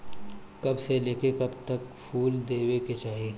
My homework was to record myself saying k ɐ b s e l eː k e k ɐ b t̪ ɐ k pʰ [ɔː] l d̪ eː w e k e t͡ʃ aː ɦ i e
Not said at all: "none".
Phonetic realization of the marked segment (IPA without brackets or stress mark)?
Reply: uː